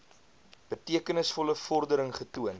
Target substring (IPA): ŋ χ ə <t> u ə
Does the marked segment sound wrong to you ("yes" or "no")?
no